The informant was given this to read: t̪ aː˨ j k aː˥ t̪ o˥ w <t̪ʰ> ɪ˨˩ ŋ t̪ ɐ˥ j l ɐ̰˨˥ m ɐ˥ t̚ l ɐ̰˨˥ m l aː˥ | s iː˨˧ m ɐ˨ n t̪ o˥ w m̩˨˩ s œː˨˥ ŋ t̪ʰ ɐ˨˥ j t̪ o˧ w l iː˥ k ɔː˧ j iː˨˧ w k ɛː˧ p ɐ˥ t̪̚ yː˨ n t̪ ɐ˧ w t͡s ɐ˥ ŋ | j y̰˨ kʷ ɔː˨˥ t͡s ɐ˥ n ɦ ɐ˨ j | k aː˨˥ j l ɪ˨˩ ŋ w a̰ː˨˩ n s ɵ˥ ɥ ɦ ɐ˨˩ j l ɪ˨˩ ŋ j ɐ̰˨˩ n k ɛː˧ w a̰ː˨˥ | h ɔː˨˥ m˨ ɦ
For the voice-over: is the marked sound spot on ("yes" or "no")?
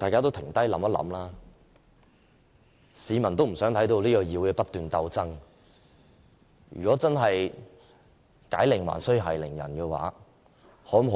yes